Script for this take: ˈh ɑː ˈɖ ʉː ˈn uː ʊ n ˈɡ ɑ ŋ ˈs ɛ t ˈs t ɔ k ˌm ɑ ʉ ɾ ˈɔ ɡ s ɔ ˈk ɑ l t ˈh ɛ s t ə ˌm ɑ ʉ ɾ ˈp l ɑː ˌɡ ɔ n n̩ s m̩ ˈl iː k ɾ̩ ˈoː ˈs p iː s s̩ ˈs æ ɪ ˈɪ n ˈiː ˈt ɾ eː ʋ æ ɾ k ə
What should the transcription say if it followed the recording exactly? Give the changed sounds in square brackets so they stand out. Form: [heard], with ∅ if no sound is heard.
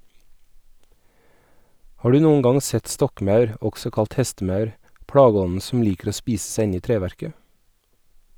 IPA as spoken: ˈh ɑː ˈɖ ʉː ˈn uː ʊ n ˈɡ ɑ ŋ ˈs ɛ t ˈs t ɔ k ˌm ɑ ʉ ɾ ˈɔ ɡ s ɔ ˈk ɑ l t ˈh ɛ s t ə ˌm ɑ ʉ ɾ ˈp [ɽ] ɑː ˌɡ ɔ n n̩ s m̩ ˈl iː k ɾ̩ ˈoː ˈs p iː s s̩ ˈs æ ɪ ˈɪ n ˈiː ˈt ɾ eː ʋ æ ɾ k ə